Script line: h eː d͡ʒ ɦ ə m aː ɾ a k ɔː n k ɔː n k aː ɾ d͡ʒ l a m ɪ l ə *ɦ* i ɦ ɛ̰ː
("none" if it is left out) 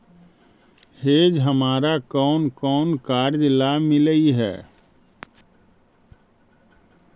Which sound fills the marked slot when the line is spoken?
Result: none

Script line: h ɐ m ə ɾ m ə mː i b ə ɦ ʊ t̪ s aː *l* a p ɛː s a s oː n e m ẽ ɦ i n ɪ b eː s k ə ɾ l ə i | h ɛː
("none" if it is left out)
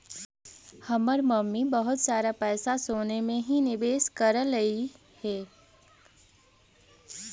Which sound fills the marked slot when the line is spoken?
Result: ɾ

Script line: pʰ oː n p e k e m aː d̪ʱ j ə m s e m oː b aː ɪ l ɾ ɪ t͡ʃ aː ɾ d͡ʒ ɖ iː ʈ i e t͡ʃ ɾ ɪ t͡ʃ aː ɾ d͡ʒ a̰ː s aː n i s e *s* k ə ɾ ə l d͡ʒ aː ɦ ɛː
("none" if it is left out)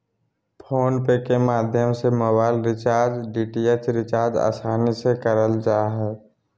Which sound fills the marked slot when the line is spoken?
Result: none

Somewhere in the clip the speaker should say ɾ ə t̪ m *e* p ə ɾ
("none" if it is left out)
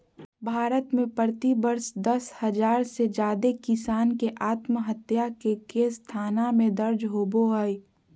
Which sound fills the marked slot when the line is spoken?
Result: ẽ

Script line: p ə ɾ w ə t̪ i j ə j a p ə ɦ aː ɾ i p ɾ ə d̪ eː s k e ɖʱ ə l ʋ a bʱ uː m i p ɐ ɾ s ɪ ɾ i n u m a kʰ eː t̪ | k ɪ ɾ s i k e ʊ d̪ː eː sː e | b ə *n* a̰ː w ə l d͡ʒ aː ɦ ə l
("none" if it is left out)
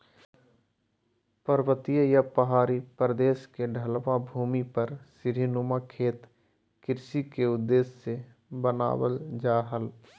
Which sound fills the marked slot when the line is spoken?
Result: n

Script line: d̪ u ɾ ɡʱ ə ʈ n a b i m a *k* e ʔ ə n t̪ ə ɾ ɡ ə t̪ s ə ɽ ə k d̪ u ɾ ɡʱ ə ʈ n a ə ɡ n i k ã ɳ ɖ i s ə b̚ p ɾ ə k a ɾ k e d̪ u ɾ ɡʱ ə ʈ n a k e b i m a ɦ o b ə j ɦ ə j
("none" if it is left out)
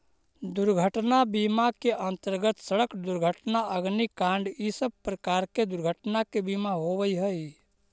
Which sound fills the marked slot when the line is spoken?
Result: k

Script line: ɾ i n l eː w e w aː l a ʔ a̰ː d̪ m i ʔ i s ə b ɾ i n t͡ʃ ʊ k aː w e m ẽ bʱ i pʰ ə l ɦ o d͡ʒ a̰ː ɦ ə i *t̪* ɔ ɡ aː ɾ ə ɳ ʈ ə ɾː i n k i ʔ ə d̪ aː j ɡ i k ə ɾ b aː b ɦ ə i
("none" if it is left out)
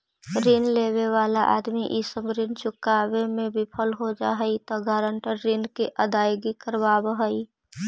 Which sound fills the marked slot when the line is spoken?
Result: t̪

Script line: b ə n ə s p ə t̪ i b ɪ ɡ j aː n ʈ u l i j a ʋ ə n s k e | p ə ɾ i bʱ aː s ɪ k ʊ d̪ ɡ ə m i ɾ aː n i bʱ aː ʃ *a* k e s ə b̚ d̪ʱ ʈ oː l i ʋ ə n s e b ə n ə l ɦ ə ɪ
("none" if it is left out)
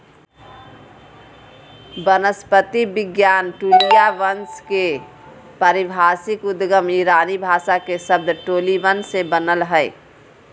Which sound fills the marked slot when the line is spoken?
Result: a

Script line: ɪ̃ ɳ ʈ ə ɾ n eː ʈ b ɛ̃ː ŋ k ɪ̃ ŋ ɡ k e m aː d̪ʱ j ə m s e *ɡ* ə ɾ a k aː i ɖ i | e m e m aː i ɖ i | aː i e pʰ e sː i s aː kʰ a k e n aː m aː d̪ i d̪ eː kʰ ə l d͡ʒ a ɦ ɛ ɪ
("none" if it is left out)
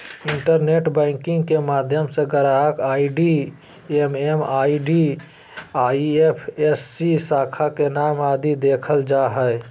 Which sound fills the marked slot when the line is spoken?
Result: ɡ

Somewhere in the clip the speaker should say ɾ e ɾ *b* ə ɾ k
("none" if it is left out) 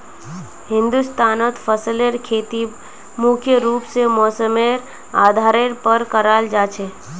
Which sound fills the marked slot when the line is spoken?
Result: p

